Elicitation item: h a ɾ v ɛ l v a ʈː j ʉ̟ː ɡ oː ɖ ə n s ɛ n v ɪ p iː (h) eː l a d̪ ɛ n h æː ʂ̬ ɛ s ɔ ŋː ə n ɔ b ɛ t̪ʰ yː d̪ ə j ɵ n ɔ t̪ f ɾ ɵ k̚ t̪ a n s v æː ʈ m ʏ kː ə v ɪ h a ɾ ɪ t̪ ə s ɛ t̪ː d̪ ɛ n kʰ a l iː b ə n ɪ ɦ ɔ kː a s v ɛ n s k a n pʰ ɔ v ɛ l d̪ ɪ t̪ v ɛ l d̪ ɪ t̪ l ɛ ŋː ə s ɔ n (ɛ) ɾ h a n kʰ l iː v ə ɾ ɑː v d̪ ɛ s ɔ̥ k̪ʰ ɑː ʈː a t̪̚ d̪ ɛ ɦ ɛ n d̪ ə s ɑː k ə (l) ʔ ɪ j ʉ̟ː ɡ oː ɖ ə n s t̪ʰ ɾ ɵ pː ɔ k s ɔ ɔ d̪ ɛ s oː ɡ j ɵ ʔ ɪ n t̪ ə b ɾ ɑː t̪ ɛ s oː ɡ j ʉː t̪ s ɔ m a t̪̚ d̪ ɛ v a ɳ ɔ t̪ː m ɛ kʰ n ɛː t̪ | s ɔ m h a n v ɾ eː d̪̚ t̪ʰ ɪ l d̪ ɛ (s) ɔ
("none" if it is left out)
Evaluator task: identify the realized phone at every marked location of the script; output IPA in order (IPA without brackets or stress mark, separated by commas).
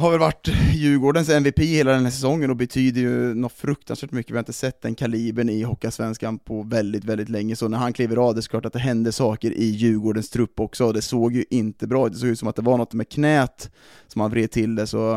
h, æ, ɾ, s